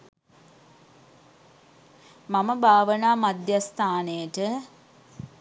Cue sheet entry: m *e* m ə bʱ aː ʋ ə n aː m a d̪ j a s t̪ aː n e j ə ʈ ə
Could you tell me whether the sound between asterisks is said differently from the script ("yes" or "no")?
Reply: yes